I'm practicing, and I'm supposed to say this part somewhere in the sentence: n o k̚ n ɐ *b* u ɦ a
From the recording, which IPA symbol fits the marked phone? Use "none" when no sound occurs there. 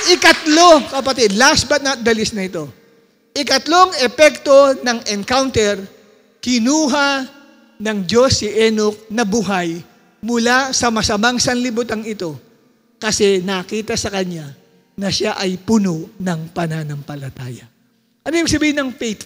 b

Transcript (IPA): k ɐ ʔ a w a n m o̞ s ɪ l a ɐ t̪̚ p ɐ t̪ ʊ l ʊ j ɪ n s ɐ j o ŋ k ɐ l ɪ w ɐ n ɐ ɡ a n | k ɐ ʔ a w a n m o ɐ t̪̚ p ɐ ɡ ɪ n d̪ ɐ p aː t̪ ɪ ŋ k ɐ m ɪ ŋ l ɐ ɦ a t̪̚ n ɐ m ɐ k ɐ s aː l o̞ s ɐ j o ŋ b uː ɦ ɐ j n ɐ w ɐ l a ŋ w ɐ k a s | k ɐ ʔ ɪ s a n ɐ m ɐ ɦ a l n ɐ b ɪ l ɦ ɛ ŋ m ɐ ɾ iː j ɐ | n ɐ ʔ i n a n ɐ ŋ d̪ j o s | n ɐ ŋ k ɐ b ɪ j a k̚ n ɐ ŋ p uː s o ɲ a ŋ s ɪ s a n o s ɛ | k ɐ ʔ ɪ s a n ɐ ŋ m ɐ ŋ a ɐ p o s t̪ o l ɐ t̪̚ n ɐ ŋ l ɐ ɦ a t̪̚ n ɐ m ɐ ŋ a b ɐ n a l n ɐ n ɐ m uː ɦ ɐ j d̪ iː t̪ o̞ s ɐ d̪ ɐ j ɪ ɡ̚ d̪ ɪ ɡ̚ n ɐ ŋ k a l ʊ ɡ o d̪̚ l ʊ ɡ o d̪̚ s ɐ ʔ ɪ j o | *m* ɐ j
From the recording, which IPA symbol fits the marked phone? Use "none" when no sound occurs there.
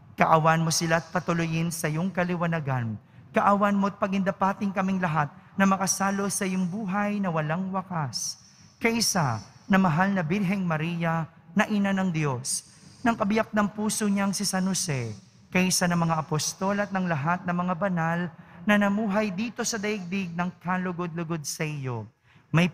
m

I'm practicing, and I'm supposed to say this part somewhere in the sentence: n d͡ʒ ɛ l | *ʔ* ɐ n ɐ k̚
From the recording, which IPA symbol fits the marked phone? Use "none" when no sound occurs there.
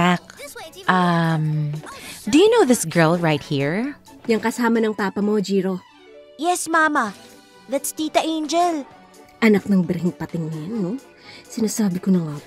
ʔ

